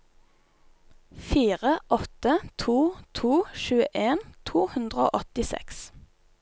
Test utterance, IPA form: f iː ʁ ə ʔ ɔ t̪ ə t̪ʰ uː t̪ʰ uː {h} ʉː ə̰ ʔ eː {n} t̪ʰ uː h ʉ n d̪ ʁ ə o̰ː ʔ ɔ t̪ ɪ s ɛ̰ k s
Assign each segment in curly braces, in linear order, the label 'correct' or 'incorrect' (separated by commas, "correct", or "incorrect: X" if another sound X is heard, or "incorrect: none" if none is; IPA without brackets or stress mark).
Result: incorrect: ʃ, correct